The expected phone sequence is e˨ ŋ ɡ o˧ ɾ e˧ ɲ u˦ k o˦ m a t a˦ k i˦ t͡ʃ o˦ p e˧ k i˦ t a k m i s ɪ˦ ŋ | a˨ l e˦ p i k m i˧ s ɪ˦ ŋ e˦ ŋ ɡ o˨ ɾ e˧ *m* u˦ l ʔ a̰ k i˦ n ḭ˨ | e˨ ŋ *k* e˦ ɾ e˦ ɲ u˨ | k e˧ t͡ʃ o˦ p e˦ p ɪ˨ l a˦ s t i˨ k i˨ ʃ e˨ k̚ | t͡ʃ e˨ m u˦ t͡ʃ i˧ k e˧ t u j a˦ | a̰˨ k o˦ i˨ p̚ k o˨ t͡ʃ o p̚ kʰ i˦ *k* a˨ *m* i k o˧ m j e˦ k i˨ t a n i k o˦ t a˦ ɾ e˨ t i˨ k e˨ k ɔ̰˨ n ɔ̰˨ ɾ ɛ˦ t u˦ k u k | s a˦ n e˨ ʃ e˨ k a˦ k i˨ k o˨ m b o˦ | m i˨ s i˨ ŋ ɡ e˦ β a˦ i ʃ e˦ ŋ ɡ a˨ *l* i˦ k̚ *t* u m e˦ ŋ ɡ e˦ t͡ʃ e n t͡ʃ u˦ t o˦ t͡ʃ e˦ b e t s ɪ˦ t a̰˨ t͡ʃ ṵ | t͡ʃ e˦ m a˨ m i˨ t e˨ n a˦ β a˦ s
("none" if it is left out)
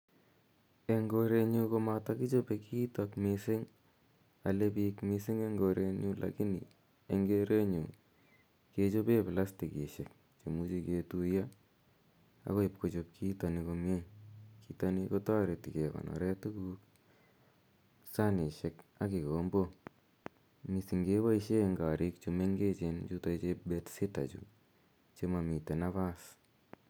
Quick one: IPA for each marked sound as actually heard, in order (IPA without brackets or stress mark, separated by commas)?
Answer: ɲ, ɡ, t, n, ɾ, t͡ʃ